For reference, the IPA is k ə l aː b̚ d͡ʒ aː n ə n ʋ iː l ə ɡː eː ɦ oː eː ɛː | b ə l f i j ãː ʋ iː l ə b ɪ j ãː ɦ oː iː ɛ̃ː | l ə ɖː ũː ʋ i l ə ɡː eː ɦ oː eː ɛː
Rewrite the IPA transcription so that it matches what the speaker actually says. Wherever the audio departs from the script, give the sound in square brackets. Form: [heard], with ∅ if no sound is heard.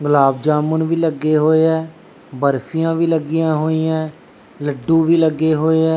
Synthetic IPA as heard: [ɡ] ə l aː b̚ d͡ʒ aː [m] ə n ʋ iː l ə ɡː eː ɦ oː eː ɛː | b ə [ɾ] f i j ãː ʋ iː l ə [ɡ] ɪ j ãː ɦ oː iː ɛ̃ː | l ə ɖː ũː ʋ [iː] l ə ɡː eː ɦ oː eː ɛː